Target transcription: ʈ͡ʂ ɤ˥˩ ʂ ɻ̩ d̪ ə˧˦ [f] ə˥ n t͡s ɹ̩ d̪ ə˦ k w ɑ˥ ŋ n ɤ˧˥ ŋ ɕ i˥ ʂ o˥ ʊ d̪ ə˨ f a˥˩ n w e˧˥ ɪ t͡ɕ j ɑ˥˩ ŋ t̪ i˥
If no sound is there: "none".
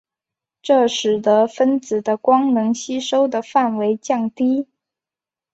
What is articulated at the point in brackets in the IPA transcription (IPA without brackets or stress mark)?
f